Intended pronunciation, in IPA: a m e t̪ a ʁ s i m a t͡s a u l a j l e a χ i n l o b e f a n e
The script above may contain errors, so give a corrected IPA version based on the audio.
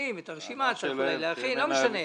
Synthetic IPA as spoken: i m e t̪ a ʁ ʃ i m a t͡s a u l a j l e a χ i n l o m e ʃ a n e